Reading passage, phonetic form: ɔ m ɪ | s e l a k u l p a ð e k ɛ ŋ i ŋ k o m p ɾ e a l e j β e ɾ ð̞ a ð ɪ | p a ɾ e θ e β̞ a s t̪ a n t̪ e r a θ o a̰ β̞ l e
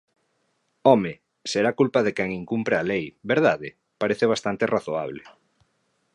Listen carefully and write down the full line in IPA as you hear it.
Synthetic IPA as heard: ɔ m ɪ | s e ɾ a k u l p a ð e k ɛ ŋ i ŋ k u m p ɾ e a l e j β e ɾ ð̞ a ð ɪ | p a ɾ e θ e β̞ a s t̪ a n t̪ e r a θ o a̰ β̞ l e